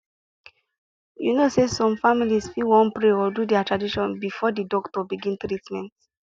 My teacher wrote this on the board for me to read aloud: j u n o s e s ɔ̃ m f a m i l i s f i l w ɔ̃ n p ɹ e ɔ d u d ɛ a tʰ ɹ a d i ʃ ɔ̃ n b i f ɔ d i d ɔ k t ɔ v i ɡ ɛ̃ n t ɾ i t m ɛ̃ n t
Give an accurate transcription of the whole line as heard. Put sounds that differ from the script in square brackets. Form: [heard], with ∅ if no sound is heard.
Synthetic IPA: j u n o s e s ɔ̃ m f a m i l i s f i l w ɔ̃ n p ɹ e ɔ d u d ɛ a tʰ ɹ a d i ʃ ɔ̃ n b i f ɔ d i d ɔ k t ɔ [b] i ɡ [ĩ] n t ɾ i t m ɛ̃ n t